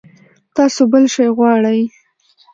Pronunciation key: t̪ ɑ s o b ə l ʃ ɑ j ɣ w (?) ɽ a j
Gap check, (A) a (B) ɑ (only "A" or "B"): B